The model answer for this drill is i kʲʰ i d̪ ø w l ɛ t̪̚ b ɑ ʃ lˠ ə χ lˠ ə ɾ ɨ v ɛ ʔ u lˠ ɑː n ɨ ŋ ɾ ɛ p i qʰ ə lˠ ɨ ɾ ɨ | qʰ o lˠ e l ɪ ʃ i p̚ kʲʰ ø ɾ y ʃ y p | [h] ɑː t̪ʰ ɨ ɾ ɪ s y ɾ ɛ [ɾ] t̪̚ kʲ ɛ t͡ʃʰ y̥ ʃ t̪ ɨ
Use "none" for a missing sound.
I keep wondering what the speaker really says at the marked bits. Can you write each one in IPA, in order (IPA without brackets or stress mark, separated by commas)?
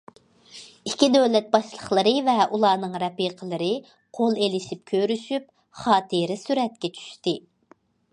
χ, none